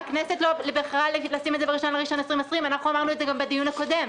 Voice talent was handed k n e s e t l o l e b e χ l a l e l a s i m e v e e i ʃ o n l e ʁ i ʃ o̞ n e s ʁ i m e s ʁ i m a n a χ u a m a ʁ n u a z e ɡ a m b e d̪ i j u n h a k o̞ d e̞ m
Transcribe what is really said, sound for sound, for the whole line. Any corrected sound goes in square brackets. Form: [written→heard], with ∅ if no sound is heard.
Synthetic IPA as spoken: k n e s e t l o l e b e χ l a l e l a s i m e [v→z] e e i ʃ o n l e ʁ i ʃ o̞ n e s ʁ i m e s ʁ i m a n a χ u a m a ʁ n u [a→e] z e ɡ a m b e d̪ i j u n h a k o̞ d e̞ m